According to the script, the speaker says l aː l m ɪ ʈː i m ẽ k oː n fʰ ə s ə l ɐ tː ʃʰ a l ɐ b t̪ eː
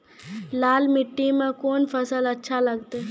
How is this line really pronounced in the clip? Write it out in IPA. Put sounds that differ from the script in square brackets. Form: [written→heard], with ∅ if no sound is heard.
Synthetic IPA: l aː l m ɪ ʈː i m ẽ k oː n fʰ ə s ə l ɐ tː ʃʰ a l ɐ [b→ɡ] t̪ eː